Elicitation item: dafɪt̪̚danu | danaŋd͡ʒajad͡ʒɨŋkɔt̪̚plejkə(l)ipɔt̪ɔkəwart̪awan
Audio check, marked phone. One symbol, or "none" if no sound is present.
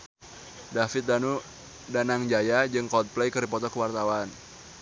ɾ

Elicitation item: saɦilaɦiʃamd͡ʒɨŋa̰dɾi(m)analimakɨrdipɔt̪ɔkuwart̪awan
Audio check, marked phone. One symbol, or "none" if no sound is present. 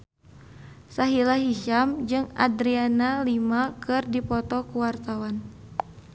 none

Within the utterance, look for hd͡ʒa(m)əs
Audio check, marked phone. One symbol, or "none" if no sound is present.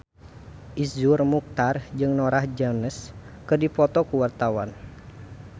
n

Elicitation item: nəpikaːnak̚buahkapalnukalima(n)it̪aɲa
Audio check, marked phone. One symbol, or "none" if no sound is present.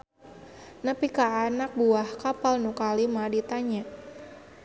d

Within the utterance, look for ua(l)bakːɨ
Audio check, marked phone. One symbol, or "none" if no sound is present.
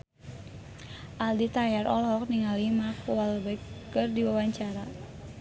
l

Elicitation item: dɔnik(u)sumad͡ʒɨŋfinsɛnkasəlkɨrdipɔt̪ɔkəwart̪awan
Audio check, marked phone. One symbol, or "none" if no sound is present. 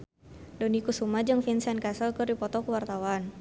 u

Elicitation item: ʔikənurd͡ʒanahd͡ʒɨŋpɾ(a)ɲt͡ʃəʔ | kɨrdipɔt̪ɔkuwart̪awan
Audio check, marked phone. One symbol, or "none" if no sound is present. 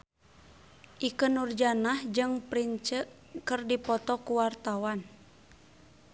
i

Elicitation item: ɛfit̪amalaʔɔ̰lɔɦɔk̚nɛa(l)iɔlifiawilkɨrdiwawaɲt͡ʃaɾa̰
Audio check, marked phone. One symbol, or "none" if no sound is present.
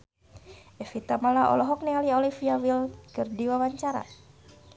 l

